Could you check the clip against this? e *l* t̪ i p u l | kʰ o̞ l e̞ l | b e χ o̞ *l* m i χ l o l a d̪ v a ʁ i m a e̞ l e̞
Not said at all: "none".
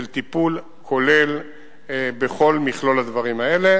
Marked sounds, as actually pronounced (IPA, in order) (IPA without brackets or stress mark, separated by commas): l, l